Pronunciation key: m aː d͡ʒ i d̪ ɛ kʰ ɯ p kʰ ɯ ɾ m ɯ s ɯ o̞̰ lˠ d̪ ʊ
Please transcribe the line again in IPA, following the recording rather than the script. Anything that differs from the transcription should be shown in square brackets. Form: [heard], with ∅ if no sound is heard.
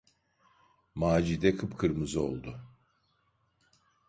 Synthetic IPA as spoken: m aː d͡ʒ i d̪ ɛ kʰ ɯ p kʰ ɯ ɾ m ɯ [z] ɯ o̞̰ lˠ d̪ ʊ